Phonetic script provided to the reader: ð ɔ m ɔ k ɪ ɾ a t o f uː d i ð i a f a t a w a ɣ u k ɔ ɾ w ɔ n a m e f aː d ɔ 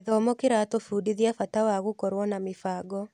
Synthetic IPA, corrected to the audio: ð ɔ m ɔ k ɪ ɾ a t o f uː d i ð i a f a t a w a ɣ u k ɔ ɾ w ɔ n a m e f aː ɡ ɔ